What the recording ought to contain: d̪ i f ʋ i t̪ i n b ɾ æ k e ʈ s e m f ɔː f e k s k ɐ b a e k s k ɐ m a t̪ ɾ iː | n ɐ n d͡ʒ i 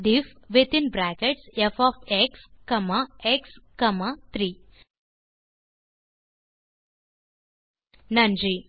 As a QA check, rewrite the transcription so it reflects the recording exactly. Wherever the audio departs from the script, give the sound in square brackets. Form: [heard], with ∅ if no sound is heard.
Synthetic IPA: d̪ i f ʋ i t̪ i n b ɾ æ k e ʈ s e [∅] f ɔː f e k s k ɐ [m] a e k s k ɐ m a t̪ ɾ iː | n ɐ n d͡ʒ i